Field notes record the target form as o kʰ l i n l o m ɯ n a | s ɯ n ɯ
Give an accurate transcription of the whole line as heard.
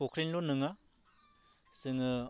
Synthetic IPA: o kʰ ɾ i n l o n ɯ ŋ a | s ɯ ŋ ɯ